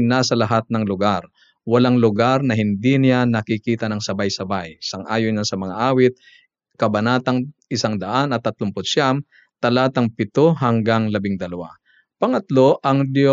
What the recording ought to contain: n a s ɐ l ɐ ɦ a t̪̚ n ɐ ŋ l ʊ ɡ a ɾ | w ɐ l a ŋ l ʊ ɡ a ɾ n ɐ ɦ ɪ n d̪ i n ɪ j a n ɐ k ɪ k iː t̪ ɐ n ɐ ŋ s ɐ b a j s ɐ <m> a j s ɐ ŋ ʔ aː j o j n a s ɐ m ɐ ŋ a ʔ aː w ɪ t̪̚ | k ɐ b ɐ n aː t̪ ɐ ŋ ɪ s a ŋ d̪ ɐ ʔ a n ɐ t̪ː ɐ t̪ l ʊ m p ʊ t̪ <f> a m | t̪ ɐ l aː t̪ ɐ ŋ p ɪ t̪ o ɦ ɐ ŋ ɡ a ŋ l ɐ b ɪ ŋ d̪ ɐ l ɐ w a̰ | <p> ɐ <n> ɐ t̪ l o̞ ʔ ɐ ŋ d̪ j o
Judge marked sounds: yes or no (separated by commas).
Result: no, no, yes, no